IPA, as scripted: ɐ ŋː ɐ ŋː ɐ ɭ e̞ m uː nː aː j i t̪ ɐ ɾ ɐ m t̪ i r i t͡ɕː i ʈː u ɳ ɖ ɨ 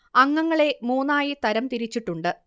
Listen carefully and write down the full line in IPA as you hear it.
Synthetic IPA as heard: ɐ ŋː ɐ ŋː ɐ ɭ e̞ m uː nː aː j i t̪ ɐ ɾ ɐ m t̪ i ɾ i t͡ɕː i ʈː u ɳ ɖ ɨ